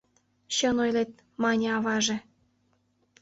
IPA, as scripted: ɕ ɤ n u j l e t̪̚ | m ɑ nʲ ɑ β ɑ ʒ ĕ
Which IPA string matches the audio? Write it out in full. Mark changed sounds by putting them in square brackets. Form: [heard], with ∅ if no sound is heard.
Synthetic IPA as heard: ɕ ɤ n [o] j l e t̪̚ | m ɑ nʲ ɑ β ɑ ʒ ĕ